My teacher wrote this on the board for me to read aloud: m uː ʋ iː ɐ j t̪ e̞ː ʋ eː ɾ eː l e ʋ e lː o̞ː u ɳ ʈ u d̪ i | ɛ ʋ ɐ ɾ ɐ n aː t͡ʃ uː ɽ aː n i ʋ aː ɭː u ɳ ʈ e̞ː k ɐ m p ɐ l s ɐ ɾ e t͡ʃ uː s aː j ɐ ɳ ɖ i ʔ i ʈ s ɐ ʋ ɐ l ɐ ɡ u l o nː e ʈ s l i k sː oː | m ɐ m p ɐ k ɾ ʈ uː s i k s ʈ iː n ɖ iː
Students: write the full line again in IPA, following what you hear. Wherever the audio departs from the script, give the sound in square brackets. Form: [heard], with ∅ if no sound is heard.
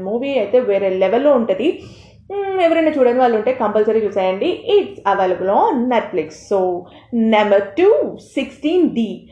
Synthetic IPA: m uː ʋ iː ɐ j t̪ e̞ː ʋ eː ɾ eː l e ʋ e lː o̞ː u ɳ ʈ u d̪ i | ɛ ʋ ɐ ɾ ɐ n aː t͡ʃ uː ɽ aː n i ʋ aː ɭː u ɳ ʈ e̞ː k ɐ m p ɐ l s ɐ ɾ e t͡ʃ uː s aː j ɐ ɳ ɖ i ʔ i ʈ s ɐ ʋ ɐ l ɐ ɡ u l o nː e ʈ [f] l i k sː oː | [n] ɐ m [b] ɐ [∅] ɾ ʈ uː s i k s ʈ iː n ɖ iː